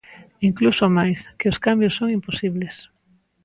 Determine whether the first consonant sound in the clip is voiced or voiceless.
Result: voiced